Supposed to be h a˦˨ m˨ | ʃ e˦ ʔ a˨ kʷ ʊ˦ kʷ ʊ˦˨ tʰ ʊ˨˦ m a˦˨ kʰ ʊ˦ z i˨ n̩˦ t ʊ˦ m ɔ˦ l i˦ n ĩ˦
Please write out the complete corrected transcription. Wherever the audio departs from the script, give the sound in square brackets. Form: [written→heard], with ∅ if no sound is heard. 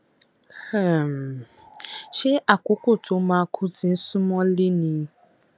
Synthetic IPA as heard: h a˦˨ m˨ | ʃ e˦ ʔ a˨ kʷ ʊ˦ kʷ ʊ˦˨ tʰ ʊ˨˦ m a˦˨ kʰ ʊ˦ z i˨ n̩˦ [t→s] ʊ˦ m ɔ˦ l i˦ n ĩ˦